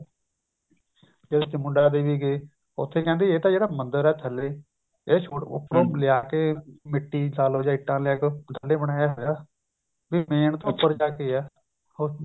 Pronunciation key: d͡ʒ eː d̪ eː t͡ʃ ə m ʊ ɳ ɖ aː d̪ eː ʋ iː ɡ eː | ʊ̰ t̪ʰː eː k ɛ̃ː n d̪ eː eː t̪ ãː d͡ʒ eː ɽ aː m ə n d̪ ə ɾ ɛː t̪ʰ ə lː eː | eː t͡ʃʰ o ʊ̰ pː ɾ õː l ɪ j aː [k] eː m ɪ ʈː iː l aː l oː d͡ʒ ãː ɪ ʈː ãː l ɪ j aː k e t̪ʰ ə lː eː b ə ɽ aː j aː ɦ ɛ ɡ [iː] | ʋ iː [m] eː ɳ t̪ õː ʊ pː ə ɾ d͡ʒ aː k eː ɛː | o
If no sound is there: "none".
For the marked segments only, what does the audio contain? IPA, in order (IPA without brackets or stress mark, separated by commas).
k, aː, m